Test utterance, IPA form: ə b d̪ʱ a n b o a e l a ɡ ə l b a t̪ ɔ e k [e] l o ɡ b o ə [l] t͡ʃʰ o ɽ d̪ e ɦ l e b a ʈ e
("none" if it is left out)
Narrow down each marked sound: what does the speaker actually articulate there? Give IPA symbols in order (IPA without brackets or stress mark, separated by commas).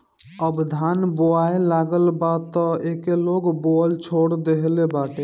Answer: e, l